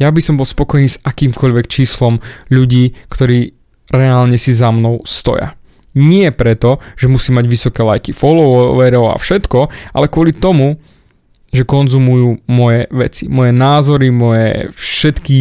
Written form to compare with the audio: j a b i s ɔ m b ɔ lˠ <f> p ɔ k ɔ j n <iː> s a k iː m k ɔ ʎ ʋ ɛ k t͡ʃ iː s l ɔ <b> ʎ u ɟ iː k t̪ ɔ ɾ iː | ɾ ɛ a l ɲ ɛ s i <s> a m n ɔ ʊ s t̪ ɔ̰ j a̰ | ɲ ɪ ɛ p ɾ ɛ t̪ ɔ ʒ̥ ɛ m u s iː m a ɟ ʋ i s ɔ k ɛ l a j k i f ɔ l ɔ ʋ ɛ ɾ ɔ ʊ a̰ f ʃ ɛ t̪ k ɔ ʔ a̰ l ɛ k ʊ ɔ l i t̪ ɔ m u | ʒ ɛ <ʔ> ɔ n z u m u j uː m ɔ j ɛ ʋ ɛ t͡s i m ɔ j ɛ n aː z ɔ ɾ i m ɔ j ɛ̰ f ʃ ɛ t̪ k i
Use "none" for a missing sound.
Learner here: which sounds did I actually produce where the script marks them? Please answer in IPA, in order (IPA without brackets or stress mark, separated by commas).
s, iː, m, z, k